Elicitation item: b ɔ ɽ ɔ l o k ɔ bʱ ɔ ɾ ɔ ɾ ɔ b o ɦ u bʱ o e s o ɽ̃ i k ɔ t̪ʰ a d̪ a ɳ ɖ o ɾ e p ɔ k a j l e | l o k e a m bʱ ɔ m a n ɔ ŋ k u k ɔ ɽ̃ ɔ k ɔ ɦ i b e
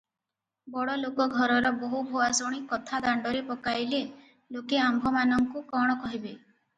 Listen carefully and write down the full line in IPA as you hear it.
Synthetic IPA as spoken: b ɔ ɽ ɔ l o k ɔ ɡʱ ɔ ɾ ɔ ɾ ɔ b o ɦ u bʱ o a s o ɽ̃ i k ɔ t̪ʰ a d̪ a ɳ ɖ ɔ ɾ e p ɔ k a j l e | l o k e a m bʱ ɔ m a n ɔ ŋ k u k ɔ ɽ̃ ɔ k ɔ ɦ i b e

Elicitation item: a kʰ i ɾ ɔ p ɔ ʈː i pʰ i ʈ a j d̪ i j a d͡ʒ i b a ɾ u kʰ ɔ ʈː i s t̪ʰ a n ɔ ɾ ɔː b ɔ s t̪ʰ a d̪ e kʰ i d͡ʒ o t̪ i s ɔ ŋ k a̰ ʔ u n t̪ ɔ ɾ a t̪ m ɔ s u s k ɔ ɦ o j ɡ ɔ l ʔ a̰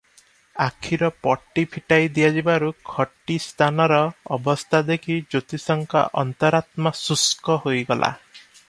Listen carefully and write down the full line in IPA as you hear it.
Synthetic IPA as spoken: a kʰ i ɾ ɔ p ɔ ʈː i pʰ i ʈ a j d̪ i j a d͡ʒ i b a ɾ u kʰ ɔ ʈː i s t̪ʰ a n ɔ ɾ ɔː b ɔ s t̪ʰ a d̪ e kʰ i d͡ʒ o t̪ i s ɔ ŋ k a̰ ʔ ɔ n t̪ ɔ ɾ a t̪ m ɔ s u s k ɔ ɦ o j ɡ ɔ l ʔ a̰

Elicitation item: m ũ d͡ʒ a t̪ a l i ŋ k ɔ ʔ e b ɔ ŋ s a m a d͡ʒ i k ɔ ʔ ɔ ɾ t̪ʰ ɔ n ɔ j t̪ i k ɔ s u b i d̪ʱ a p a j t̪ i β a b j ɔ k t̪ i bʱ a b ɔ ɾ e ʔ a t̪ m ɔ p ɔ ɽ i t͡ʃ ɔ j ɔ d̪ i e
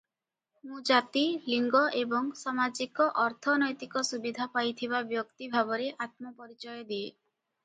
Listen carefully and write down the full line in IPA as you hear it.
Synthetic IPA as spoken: m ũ d͡ʒ a t̪ i l i ŋ ɡ ɔ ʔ e b ɔ ŋ s a m a d͡ʒ i k ɔ ʔ ɔ ɾ t̪ʰ ɔ n ɔ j t̪ i k ɔ s u b i d̪ʱ a p a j t̪ʰ i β a b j ɔ k t̪ i bʱ a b ɔ ɾ e ʔ a t̪ m ɔ p ɔ ɾ i t͡ʃ ɔ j ɔ d̪ i e

